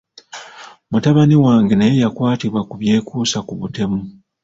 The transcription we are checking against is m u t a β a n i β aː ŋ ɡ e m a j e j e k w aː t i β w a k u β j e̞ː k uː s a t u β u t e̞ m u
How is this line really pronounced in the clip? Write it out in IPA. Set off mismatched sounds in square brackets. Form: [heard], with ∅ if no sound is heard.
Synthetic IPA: m u t a β a n i [w] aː ŋ ɡ e [n] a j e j [a] k w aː t i β w a k u β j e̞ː k uː s a [k] u β u t e̞ m u